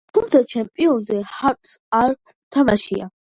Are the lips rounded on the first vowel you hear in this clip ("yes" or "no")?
yes